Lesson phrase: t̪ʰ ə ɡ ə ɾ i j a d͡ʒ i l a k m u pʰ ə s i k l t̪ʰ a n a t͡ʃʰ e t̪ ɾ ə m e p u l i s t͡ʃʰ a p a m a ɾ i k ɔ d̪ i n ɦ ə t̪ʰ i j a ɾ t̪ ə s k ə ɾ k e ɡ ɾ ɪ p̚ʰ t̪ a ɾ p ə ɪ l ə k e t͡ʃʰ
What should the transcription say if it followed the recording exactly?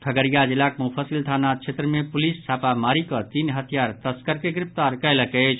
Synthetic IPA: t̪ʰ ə ɡ ə ɾ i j a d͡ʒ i l a k m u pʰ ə s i l t̪ʰ a n a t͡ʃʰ e t̪ ɾ ə m e p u l i s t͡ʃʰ a p a m a ɾ i k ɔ t̪ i n ɦ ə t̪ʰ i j a ɾ t̪ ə s k ə ɾ k e ɡ ɾ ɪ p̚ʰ t̪ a ɾ k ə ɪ l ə k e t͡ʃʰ